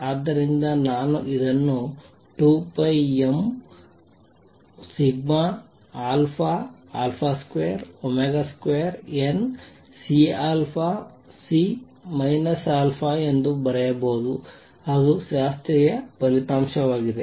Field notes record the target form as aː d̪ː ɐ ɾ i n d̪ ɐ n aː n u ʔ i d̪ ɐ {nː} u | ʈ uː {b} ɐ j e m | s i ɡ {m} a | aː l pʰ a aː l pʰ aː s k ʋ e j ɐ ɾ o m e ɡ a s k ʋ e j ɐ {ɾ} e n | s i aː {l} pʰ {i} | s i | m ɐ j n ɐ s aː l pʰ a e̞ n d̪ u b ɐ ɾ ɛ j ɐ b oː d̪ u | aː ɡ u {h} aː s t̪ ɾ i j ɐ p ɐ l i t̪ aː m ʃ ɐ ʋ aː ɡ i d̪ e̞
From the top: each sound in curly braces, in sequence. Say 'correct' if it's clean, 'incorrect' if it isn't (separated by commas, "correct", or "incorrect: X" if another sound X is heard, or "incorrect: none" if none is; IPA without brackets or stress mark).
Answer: correct, incorrect: p, correct, correct, correct, incorrect: a, incorrect: ʃ